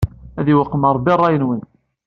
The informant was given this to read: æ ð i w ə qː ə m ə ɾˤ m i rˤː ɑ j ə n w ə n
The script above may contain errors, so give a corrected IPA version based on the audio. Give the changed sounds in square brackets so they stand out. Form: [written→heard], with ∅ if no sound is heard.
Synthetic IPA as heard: æ ð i w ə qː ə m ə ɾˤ [m→b] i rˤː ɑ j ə n w ə n